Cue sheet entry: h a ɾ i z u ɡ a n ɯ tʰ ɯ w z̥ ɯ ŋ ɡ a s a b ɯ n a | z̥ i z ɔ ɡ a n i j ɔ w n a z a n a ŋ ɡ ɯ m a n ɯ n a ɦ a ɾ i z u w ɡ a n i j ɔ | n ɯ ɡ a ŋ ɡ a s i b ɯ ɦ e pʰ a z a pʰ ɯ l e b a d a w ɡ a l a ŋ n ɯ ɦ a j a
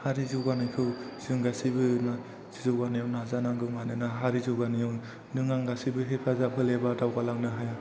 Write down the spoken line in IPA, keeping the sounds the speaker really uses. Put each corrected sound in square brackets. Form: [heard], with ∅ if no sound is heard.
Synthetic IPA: h a ɾ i z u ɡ a n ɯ [kʰ] ɯ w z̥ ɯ ŋ ɡ a s [i] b ɯ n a | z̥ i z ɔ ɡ a n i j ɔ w n a z a n a ŋ ɡ ɯ m a n ɯ n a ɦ a ɾ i z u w ɡ a n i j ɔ | n ɯ [ŋ] a ŋ ɡ a s i b ɯ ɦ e pʰ a z a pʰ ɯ l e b a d a w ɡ a l a ŋ n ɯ ɦ a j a